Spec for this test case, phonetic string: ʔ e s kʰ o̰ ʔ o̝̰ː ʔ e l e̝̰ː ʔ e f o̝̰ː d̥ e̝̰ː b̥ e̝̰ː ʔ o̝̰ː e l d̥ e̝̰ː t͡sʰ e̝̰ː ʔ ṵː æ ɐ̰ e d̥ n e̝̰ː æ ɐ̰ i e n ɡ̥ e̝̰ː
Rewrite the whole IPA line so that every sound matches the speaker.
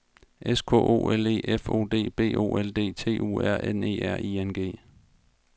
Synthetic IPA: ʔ e s kʰ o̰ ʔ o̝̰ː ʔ e l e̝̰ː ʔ e f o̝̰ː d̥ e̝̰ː b̥ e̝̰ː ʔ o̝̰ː e l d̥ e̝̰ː t͡sʰ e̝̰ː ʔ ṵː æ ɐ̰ e n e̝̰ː æ ɐ̰ i e n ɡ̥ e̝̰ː